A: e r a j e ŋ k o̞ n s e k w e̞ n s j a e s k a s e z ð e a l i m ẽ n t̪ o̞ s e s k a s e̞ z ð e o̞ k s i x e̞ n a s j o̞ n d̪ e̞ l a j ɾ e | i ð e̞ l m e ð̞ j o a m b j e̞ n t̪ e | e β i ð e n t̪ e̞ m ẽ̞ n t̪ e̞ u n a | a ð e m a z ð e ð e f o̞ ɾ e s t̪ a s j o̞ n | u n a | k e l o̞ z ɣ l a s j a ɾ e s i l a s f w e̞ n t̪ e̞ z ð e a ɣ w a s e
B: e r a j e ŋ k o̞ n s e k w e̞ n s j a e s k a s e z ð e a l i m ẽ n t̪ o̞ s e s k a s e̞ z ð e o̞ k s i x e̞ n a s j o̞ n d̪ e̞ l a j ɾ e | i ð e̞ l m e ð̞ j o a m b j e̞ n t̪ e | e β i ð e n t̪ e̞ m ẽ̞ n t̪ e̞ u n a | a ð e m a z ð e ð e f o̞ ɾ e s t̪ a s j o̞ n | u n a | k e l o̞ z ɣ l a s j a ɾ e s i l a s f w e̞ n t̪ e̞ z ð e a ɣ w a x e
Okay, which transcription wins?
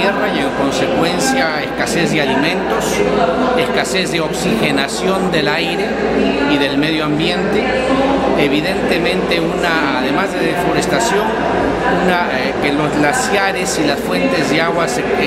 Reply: A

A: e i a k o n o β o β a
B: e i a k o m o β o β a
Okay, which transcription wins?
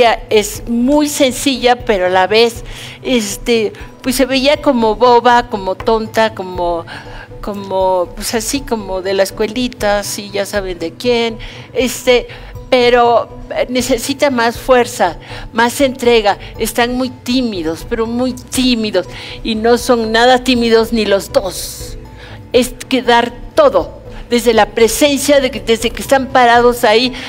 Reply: B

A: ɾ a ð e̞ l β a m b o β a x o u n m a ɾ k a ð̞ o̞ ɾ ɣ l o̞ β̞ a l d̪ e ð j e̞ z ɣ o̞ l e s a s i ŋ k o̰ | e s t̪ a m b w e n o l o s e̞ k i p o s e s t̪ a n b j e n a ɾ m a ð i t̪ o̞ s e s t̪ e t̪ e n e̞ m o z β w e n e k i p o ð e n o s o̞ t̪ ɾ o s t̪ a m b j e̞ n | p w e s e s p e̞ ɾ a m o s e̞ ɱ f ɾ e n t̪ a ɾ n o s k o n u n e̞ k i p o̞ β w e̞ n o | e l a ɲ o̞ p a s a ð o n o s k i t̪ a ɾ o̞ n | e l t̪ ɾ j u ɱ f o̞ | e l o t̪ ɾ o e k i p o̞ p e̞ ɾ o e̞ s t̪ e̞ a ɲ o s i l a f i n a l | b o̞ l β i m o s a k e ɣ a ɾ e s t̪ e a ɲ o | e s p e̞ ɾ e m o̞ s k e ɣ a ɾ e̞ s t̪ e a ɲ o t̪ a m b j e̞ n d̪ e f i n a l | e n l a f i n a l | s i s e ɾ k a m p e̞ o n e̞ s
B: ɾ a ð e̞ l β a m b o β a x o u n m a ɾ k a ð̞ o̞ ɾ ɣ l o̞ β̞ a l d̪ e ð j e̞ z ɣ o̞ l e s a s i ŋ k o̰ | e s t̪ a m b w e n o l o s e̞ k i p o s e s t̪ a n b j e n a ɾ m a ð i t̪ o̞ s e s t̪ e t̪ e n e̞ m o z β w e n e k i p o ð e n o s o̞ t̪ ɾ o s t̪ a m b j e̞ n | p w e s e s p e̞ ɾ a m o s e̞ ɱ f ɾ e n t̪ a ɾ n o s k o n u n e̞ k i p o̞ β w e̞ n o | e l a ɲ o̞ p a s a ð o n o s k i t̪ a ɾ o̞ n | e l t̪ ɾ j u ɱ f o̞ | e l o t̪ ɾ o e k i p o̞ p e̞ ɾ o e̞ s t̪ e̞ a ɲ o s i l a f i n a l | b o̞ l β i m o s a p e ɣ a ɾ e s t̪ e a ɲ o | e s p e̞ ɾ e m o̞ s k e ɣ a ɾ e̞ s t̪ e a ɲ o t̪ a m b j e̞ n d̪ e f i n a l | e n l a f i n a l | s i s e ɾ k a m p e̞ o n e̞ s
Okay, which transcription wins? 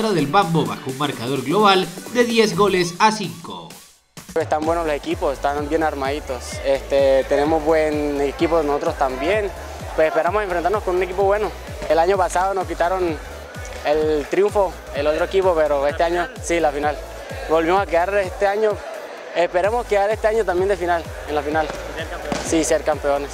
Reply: A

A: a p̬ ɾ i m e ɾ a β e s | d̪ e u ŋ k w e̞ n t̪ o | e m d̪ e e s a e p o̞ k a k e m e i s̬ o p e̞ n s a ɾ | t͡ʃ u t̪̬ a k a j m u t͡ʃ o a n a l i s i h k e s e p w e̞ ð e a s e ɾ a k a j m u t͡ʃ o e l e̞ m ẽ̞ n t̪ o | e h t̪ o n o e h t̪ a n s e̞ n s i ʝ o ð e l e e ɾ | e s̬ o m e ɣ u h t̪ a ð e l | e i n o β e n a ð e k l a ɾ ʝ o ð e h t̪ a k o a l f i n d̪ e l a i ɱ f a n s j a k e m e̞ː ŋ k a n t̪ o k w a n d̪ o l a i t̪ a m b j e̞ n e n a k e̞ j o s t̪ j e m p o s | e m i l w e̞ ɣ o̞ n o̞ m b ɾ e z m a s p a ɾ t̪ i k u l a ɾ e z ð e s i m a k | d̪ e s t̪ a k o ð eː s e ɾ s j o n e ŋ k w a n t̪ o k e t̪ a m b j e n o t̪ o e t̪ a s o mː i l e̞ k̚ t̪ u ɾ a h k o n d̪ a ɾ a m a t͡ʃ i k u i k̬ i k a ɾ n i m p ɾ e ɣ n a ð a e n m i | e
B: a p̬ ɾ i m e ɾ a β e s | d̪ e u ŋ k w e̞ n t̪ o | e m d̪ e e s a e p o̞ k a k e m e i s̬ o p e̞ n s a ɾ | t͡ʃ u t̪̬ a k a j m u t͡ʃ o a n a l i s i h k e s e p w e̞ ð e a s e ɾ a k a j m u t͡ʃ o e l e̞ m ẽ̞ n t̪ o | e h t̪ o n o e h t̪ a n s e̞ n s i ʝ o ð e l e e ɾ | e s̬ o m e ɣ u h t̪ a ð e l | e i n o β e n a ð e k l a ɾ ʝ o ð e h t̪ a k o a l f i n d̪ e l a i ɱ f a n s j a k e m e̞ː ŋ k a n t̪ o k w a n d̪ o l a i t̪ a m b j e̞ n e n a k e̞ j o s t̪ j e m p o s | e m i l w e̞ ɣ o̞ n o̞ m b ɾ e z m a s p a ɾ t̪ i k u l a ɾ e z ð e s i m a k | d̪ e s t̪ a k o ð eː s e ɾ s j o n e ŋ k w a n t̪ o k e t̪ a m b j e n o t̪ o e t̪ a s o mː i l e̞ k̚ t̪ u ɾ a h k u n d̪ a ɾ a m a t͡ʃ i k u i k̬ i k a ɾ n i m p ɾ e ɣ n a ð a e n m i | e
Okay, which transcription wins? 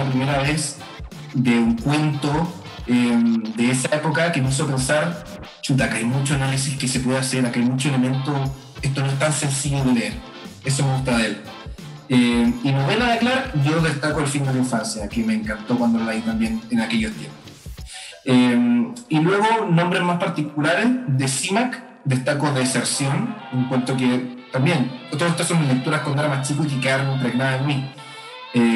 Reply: A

